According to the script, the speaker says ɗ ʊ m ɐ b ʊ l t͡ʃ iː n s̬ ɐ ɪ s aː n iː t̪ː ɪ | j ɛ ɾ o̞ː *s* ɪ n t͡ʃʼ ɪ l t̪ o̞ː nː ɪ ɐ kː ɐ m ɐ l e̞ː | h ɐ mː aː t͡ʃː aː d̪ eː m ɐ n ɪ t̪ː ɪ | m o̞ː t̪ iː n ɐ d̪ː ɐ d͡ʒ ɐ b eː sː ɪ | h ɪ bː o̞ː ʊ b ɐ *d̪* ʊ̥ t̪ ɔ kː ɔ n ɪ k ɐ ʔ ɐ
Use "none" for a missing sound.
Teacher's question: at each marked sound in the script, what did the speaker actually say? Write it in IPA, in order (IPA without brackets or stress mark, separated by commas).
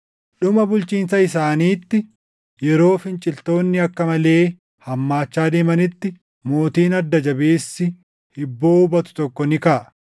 f, t̪